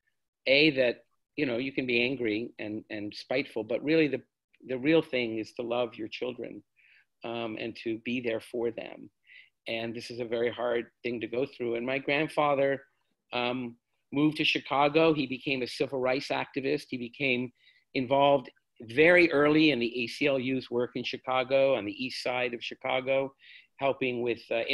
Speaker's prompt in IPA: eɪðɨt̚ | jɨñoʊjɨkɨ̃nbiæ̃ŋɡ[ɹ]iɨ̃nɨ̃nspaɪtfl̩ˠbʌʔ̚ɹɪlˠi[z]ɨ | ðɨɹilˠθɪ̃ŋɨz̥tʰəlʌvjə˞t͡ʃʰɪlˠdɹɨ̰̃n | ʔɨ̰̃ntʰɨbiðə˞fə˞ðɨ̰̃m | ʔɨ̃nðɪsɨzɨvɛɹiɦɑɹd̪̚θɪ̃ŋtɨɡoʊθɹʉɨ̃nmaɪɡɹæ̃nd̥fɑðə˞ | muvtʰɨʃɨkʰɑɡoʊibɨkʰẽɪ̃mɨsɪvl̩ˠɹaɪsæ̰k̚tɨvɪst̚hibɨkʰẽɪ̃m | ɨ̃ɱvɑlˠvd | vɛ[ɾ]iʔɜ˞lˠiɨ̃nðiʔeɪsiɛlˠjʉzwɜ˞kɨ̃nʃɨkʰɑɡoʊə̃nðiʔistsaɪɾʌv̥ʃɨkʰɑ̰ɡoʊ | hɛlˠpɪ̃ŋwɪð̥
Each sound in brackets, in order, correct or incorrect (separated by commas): correct, incorrect, incorrect